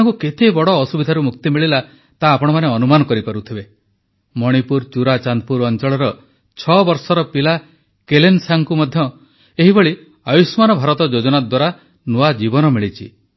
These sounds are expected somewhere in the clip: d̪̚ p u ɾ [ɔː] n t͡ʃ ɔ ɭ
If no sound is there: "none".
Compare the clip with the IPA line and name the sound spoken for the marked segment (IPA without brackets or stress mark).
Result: ɔ